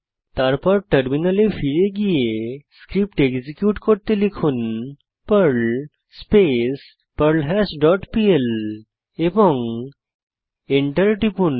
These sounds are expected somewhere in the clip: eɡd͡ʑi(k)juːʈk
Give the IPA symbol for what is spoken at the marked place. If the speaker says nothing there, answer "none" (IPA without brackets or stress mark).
k